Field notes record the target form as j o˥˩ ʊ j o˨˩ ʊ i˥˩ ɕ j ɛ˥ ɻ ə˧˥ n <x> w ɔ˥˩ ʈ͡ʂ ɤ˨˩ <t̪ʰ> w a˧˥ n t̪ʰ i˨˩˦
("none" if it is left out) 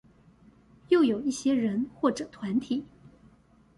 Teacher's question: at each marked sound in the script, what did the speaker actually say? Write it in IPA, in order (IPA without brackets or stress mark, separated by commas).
x, t̪ʰ